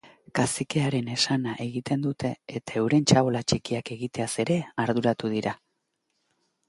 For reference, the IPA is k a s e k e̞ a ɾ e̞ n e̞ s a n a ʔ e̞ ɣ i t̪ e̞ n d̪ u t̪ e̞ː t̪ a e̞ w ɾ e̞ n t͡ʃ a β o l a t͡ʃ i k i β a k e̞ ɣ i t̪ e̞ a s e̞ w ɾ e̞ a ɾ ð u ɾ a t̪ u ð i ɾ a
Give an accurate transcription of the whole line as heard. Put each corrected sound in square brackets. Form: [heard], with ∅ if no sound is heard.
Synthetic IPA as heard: k a s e k e̞ a ɾ e̞ n e̞ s a n a ʔ e̞ ɣ i t̪ e̞ n d̪ u t̪ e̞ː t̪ a e̞ w ɾ e̞ n t͡ʃ a β o l a t͡ʃ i k i [∅] a k e̞ ɣ i t̪ e̞ a s e̞ [∅] ɾ e̞ a ɾ ð u ɾ a t̪ u ð i ɾ a